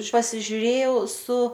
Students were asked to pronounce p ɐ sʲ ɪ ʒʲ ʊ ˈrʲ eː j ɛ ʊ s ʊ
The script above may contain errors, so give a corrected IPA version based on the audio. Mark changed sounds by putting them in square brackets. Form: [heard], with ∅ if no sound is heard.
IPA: p ɐ sʲ ɪ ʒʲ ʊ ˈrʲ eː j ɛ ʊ s ʊ